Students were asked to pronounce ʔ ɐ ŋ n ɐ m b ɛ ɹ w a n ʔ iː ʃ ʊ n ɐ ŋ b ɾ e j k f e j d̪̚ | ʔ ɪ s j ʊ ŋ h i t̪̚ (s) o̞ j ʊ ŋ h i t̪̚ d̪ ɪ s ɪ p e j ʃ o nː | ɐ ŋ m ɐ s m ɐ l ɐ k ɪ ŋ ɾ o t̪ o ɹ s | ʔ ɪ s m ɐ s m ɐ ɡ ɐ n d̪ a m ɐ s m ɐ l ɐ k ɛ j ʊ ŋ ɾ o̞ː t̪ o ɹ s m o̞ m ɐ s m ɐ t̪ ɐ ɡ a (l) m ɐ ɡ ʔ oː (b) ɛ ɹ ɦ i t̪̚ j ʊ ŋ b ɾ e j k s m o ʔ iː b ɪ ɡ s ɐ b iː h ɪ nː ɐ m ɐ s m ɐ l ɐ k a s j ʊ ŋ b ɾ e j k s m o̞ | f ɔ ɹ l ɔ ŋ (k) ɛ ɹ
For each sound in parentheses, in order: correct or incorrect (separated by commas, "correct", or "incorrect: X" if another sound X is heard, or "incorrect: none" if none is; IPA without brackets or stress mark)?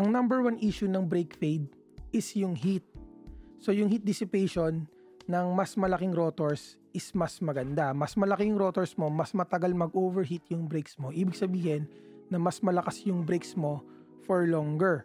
correct, correct, incorrect: v, incorrect: ɡ